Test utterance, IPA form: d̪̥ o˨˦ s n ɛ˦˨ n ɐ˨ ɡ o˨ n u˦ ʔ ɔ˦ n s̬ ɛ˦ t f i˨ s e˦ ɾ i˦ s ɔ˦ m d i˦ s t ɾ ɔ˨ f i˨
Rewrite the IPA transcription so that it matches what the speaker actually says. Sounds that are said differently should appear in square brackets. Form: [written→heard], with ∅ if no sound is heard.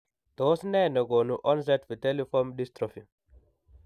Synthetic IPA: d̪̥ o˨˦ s n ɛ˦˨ n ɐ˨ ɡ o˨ n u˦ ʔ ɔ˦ n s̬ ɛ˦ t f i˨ [s→t] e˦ [ɾ→l] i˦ [s→f] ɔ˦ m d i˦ s t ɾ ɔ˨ f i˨